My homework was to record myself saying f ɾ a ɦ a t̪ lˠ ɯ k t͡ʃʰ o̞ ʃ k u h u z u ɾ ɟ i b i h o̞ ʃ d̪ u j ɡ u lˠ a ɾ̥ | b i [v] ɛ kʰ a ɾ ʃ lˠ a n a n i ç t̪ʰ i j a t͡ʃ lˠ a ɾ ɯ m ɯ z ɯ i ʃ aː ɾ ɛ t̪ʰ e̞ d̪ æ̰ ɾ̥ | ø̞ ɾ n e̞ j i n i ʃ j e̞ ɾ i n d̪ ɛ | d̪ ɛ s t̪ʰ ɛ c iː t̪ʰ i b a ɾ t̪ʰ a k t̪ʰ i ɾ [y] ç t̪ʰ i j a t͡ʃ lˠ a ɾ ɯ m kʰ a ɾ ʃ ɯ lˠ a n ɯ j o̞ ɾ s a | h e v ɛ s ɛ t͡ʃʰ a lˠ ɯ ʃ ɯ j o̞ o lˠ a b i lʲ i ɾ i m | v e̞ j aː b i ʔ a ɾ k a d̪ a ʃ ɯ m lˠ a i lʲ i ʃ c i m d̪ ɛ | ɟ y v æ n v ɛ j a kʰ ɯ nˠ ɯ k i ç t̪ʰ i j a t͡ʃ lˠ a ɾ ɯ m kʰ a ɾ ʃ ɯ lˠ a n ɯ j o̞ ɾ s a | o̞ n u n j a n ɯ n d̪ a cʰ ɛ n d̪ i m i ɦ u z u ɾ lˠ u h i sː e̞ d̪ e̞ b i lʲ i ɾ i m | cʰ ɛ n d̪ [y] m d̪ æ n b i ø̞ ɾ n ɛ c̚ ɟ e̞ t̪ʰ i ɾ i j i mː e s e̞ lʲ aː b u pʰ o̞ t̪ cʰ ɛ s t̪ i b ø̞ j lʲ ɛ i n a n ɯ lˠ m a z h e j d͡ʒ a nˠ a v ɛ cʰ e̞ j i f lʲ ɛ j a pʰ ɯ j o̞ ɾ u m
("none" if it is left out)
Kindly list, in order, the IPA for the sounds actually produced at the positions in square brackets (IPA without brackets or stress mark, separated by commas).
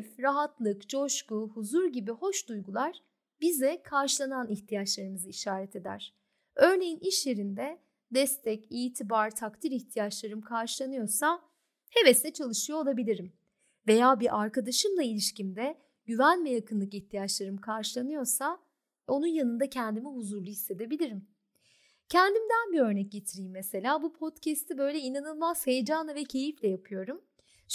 z, i, i